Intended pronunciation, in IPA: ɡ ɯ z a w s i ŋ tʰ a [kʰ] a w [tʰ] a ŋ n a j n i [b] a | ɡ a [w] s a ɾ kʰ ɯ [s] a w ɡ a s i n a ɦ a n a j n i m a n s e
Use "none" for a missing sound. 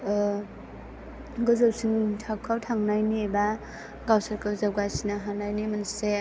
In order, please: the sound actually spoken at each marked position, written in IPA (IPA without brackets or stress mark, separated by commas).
kʰ, tʰ, b, w, z